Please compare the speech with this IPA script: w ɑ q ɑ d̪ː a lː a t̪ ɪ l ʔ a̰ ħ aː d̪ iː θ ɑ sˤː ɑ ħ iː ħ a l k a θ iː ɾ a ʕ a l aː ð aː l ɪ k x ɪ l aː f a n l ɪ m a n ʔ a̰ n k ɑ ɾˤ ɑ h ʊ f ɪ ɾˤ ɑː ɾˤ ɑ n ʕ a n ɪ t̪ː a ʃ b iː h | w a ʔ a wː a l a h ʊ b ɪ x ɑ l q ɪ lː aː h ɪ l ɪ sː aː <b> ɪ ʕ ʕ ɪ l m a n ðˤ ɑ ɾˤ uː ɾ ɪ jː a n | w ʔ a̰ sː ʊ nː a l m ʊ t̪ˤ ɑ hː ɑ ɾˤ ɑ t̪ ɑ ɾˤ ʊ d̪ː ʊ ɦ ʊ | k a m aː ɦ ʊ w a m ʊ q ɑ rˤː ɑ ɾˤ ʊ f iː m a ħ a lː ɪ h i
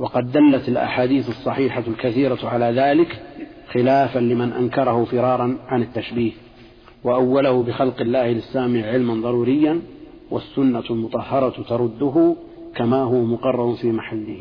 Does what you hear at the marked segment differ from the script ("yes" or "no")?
yes